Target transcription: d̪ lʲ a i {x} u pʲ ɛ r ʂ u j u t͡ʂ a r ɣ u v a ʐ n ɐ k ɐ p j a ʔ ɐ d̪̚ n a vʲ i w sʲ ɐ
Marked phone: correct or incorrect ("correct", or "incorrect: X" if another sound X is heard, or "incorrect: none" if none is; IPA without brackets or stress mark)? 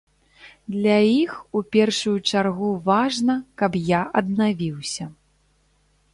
correct